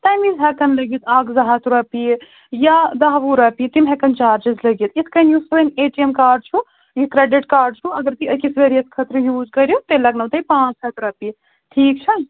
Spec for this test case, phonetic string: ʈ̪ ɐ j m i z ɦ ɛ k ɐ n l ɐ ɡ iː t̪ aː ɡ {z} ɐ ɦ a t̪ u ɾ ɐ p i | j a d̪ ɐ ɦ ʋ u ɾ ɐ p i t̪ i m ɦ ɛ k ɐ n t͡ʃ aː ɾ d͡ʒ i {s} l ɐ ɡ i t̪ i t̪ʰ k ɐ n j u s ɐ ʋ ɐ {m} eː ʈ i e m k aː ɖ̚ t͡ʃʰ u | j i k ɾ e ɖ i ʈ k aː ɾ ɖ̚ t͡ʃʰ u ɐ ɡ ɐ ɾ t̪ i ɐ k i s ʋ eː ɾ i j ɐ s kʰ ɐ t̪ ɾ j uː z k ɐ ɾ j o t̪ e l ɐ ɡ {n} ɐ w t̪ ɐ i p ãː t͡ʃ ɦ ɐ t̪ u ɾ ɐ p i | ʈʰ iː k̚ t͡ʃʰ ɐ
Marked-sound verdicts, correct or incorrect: correct, incorrect: z, incorrect: n, correct

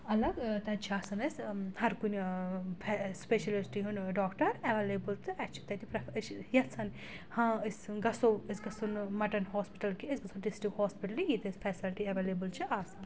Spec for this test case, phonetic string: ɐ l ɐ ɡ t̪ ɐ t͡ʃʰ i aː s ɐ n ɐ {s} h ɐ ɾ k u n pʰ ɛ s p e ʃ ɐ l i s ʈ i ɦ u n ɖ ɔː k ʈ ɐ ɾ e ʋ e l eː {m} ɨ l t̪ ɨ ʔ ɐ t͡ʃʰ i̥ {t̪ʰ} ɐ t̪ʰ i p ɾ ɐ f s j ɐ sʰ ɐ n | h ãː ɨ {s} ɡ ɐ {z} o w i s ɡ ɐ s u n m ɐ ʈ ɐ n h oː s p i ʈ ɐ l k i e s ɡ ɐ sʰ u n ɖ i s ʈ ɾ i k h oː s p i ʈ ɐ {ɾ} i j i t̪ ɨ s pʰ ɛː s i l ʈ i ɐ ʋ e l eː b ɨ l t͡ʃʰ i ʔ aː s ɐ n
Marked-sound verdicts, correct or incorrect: correct, incorrect: b, incorrect: t̪, correct, incorrect: s, incorrect: l

